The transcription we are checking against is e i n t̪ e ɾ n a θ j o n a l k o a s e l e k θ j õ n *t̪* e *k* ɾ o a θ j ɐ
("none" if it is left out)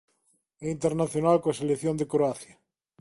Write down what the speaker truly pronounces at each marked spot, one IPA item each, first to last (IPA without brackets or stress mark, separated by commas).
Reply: d̪, k